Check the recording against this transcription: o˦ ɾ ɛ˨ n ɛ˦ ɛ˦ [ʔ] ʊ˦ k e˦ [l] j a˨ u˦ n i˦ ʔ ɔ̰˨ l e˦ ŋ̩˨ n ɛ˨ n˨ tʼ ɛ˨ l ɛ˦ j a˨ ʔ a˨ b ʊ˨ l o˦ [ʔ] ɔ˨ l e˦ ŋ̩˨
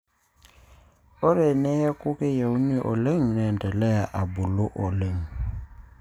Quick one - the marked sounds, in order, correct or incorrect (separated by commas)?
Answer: incorrect, incorrect, correct